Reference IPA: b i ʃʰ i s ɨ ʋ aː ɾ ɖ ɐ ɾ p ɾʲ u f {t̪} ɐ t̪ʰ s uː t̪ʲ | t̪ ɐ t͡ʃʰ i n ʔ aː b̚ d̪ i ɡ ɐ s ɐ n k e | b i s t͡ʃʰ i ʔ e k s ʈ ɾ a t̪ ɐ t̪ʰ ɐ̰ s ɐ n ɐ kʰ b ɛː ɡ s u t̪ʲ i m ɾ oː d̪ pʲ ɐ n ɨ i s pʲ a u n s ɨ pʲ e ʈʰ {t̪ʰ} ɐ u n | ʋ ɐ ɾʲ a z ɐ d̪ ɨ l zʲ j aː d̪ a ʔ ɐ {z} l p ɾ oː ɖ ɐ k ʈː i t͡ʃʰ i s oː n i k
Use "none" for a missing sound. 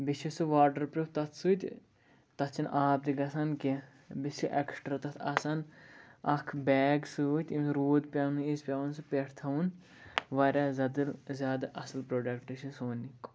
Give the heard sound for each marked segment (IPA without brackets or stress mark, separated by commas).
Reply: t̪, t̪ʰ, s